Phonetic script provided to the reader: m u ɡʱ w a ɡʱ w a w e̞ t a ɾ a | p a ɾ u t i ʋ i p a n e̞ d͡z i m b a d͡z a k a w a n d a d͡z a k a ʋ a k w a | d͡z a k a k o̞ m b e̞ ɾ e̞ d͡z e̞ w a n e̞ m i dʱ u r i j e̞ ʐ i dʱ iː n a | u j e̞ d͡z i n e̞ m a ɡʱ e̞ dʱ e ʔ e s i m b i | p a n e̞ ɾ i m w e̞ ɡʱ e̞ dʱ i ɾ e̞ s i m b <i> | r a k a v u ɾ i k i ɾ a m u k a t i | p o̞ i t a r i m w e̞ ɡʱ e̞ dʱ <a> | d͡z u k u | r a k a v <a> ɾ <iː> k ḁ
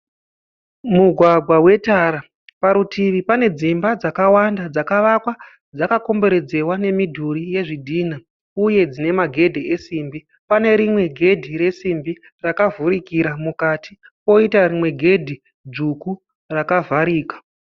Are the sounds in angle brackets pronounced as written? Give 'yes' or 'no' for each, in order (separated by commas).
yes, no, yes, yes